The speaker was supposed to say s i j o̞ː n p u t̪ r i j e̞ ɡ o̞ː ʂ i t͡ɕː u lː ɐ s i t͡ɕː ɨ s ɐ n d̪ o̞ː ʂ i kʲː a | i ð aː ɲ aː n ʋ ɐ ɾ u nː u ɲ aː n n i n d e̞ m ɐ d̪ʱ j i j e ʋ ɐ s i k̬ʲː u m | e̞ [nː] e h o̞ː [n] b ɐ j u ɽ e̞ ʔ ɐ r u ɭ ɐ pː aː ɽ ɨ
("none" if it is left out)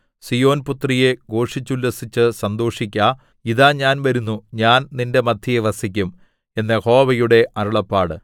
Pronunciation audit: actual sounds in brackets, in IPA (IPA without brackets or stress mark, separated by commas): nː, none